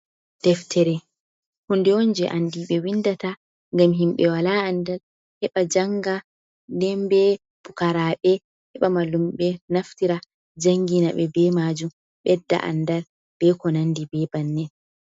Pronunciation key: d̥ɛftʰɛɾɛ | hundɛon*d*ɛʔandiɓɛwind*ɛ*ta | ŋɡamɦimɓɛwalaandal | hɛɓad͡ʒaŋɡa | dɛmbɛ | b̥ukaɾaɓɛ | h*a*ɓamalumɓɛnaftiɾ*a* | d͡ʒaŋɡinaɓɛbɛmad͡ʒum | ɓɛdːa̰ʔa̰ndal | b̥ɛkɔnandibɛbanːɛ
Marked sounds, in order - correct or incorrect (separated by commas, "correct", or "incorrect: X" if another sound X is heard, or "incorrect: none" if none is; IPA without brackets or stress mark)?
incorrect: d͡ʒ, incorrect: a, incorrect: ɛ, correct